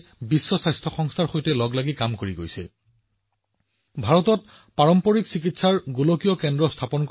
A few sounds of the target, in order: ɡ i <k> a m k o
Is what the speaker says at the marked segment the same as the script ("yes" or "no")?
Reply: yes